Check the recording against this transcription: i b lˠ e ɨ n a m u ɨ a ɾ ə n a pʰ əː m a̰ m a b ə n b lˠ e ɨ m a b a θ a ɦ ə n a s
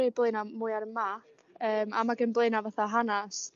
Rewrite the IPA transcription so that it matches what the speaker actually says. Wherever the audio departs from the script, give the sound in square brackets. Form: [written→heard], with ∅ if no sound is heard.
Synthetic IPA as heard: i b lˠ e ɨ n a m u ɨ a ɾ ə [n→m] a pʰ əː m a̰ m a [b→ɡ] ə n b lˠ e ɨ [m→n] a [b→v] a θ a ɦ [ə→a] n a s